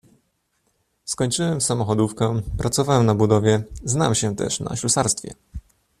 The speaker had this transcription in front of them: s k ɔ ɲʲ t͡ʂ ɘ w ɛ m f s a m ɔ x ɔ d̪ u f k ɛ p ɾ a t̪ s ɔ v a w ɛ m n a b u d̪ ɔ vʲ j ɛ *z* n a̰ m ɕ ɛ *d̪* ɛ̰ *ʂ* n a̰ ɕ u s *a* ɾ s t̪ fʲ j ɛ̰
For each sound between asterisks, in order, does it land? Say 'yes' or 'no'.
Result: yes, no, yes, yes

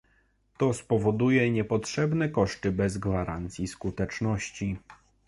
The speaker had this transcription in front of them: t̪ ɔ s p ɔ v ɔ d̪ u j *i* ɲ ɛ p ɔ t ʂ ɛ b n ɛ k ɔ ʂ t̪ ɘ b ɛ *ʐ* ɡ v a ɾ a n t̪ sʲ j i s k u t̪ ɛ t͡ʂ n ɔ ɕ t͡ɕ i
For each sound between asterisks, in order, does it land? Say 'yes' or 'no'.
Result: no, no

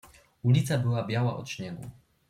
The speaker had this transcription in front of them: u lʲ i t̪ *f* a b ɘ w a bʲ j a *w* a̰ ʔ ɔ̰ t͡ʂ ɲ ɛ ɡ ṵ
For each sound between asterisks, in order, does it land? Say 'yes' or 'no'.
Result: no, yes

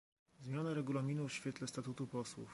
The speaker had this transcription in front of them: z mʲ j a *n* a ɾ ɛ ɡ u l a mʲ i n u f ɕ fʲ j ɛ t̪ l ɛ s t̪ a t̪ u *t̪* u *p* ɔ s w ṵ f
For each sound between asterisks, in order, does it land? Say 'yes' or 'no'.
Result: yes, yes, yes

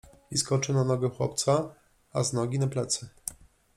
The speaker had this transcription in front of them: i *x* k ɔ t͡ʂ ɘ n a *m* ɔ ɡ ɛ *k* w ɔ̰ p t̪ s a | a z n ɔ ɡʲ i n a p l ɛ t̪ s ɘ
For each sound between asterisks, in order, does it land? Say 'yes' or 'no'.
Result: no, no, no

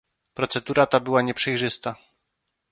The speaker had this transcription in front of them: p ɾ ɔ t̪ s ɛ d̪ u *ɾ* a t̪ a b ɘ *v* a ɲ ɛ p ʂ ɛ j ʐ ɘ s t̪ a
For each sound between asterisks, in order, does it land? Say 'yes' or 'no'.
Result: yes, no

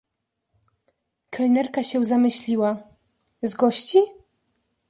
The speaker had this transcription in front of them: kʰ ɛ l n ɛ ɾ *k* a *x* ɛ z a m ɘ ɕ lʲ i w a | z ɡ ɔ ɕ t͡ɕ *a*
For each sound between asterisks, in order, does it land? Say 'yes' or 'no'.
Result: yes, no, no

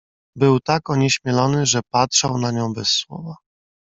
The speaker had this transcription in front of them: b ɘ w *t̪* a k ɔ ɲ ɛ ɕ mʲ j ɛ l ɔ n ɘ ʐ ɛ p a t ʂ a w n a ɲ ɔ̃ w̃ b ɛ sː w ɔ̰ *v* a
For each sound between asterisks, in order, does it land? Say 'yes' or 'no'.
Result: yes, yes

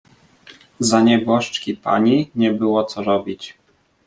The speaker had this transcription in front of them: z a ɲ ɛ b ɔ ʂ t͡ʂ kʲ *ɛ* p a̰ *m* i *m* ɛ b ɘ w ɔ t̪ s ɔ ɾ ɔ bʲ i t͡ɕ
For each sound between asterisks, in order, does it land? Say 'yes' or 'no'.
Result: no, no, no

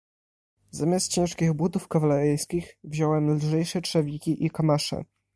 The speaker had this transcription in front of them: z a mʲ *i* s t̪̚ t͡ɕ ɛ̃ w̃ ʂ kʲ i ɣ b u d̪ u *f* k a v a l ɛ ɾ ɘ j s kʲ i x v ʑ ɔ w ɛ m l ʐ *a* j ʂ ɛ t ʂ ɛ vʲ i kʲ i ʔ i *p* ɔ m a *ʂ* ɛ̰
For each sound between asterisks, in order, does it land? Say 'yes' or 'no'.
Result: no, yes, no, no, yes

